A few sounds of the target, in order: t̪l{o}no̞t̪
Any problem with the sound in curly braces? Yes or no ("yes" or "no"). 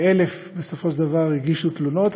yes